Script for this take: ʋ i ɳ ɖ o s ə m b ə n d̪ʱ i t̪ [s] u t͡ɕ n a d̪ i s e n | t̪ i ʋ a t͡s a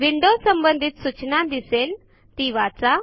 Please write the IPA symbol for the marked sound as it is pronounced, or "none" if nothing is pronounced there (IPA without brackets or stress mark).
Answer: s